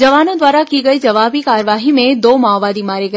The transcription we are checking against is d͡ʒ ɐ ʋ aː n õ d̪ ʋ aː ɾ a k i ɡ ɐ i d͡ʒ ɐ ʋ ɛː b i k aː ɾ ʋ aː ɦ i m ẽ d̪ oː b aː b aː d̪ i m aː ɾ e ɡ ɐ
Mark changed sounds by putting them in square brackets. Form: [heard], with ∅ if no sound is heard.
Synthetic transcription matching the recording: d͡ʒ ɐ ʋ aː n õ d̪ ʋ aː ɾ a k i ɡ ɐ i d͡ʒ ɐ ʋ [aː] b i k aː ɾ ʋ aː ɦ i m ẽ d̪ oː [m] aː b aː d̪ i m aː ɾ e ɡ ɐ